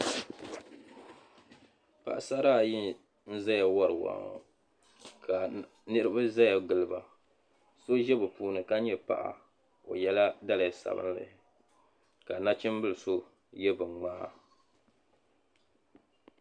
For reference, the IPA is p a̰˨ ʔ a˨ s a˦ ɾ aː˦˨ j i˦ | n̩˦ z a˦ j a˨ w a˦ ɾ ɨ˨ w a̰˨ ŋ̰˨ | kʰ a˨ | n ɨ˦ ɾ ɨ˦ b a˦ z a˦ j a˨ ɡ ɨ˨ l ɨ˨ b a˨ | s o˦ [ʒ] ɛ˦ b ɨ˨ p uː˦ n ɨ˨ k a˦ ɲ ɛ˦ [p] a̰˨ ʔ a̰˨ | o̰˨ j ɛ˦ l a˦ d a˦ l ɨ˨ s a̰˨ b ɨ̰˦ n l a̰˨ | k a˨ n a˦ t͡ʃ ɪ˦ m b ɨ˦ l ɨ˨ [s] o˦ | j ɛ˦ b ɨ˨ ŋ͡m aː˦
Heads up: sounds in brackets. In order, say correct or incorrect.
correct, correct, correct

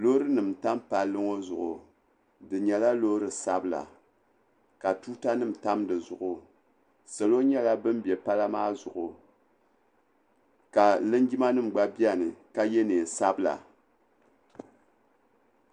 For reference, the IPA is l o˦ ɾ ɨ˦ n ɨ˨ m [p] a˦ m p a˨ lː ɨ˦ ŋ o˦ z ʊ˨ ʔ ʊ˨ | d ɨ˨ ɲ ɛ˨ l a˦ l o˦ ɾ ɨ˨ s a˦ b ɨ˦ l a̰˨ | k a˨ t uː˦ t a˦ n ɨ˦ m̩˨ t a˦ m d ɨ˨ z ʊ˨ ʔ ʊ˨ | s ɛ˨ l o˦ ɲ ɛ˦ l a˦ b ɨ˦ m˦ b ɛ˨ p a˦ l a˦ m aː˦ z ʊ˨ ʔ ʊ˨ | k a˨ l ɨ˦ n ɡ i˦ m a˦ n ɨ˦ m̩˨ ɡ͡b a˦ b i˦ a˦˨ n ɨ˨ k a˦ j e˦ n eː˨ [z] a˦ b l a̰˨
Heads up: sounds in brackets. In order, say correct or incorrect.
incorrect: t, incorrect: s

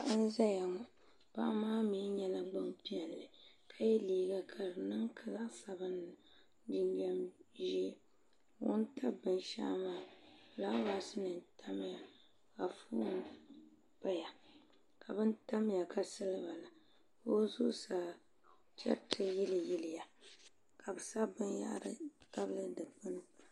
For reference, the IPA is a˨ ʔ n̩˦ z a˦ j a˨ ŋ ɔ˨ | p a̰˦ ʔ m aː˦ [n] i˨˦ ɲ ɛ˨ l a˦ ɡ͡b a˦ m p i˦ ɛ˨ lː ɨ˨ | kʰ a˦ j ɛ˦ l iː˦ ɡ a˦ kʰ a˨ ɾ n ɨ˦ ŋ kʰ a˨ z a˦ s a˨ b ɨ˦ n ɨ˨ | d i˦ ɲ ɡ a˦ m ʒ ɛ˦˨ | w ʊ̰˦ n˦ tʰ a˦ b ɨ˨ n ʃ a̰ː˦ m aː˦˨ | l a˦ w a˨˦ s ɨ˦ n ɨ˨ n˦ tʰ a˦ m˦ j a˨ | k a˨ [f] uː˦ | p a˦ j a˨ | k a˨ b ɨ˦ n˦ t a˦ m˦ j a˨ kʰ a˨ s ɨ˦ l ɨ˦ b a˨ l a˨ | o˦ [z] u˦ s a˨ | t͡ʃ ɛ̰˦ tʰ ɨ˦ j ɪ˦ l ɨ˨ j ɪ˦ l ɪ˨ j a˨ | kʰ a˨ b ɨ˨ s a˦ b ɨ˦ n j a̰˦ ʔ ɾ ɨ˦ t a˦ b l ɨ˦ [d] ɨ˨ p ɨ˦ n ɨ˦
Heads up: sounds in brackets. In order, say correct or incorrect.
incorrect: m, correct, correct, correct

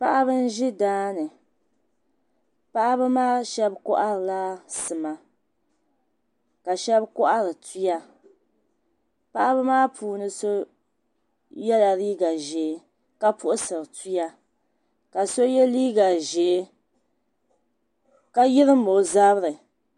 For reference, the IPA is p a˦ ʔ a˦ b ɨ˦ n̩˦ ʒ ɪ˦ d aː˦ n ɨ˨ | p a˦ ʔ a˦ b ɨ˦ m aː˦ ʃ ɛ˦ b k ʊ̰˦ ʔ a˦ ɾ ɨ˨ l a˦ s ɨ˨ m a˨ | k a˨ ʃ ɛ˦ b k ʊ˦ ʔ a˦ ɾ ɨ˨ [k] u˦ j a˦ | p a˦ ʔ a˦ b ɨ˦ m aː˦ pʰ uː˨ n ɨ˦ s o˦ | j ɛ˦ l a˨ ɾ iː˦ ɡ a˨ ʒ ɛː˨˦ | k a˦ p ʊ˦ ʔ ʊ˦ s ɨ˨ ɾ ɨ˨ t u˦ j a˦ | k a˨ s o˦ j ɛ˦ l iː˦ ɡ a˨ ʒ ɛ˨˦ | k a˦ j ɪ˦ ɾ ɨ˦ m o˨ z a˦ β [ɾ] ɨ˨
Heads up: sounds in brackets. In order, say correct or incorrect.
incorrect: t, correct

